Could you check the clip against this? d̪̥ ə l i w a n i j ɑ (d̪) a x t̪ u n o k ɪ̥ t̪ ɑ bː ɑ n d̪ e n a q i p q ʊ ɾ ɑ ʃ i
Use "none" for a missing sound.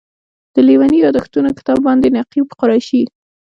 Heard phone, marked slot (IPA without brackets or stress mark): d̪